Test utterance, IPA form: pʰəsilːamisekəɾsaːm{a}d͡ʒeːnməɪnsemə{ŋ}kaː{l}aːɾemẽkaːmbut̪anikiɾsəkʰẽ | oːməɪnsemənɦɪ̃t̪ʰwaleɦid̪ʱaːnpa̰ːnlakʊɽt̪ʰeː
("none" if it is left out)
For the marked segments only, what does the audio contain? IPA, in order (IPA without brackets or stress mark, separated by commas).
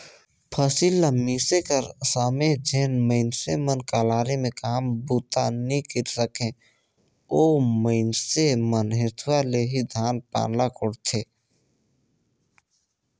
e, n, l